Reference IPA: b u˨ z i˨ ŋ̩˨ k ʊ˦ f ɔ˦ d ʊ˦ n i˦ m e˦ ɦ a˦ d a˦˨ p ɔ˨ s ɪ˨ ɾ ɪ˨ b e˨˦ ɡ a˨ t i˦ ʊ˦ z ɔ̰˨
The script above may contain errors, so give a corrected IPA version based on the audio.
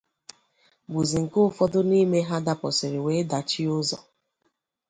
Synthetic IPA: b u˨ z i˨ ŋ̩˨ k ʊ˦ f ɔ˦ d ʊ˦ n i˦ m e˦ ɦ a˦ d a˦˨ p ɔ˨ s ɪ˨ ɾ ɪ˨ w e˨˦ d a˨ t͡ʃ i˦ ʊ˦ z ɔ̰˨